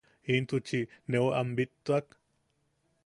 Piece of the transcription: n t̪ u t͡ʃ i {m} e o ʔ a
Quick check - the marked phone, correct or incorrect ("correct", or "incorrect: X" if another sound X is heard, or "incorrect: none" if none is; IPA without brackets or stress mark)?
incorrect: n